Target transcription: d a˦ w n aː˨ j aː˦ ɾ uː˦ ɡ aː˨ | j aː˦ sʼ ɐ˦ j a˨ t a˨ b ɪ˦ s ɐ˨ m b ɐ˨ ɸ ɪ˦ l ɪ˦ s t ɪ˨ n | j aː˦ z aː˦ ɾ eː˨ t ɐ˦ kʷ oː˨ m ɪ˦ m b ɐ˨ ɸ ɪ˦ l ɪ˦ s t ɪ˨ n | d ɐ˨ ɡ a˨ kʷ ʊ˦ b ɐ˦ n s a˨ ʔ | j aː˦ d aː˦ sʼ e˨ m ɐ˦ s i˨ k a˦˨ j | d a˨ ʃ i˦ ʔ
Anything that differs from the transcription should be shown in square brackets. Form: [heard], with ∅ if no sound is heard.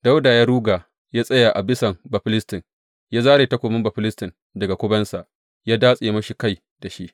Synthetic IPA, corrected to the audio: d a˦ w [d] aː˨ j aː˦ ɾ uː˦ ɡ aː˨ | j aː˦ sʼ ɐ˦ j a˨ [ʔ] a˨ b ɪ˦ s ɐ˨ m b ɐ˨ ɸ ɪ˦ l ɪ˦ s t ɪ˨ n | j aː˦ z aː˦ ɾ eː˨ t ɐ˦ kʷ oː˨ m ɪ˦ m b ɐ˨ ɸ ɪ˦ l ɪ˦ s t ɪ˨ n | d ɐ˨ ɡ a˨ kʷ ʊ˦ b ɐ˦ n s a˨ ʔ | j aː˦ d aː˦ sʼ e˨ m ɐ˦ [ʃ] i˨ k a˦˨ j | d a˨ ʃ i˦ ʔ

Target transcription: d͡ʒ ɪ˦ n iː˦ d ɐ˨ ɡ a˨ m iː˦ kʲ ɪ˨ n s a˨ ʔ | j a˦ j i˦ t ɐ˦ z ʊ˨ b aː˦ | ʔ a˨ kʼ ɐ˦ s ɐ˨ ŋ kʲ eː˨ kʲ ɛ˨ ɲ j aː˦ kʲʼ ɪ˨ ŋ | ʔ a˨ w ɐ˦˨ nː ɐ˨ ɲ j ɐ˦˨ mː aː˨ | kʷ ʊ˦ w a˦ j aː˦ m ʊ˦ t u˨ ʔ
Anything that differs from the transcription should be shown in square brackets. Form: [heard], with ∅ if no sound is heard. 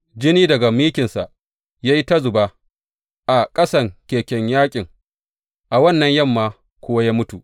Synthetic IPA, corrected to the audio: d͡ʒ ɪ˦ n iː˦ d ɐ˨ ɡ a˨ m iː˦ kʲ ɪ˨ n s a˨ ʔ | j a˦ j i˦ t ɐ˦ z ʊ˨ b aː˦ | ʔ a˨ kʼ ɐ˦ s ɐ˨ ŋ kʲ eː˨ kʲ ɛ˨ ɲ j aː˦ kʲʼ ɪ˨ ŋ | ʔ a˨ w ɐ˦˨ nː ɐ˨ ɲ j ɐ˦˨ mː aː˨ | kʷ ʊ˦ w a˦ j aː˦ m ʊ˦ t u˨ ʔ

